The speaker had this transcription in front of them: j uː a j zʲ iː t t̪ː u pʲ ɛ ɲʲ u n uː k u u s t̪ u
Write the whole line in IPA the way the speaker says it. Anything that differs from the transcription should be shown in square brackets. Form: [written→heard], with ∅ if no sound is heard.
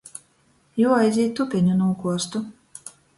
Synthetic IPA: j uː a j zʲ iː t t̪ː u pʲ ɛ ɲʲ u n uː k u [u→ɔ] s t̪ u